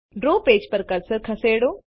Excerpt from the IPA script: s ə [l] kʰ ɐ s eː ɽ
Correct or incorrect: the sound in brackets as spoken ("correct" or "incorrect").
incorrect